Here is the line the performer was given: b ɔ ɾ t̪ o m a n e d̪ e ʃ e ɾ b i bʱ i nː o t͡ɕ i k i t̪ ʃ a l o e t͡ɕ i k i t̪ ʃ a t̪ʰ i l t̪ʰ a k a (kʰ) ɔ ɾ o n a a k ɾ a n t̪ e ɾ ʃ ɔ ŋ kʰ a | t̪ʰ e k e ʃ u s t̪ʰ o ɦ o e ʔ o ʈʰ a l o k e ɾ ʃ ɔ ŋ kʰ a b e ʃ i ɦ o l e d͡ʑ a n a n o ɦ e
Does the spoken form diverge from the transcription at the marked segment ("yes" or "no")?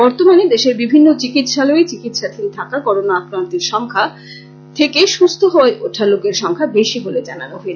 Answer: yes